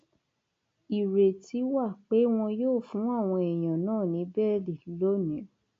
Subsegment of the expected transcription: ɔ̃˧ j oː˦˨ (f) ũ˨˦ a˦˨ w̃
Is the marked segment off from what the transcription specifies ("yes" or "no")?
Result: no